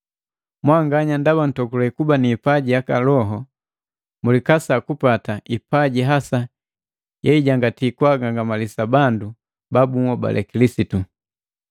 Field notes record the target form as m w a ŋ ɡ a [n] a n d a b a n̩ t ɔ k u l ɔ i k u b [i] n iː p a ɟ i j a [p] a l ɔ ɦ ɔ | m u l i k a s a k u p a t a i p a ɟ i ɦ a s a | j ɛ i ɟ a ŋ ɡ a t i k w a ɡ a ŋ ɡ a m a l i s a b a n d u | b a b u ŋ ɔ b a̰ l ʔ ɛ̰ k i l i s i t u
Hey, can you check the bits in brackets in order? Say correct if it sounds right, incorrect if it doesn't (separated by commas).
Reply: incorrect, incorrect, incorrect